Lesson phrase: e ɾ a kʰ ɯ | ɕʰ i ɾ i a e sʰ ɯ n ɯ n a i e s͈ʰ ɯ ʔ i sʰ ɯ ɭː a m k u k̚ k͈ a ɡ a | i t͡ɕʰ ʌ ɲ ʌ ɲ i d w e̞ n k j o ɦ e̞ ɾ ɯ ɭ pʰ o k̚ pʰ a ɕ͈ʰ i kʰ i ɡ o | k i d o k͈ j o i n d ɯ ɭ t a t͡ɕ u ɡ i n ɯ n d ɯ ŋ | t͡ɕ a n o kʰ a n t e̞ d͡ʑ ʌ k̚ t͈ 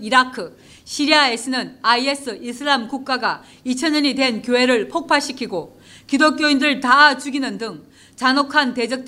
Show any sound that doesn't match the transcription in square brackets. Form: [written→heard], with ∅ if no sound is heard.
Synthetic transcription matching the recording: [e→i] ɾ a kʰ ɯ | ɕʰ i ɾ i a e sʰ ɯ n ɯ n a i e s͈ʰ ɯ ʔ i sʰ ɯ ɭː a m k u k̚ k͈ a ɡ a | i t͡ɕʰ ʌ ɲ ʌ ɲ i d w e̞ n k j o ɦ e̞ ɾ ɯ ɭ pʰ o k̚ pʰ a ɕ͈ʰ i kʰ i ɡ o | k i d o k͈ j o i n d ɯ ɭ t a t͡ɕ u ɡ i n ɯ n d ɯ ŋ | t͡ɕ a n o kʰ a n t e̞ d͡ʑ ʌ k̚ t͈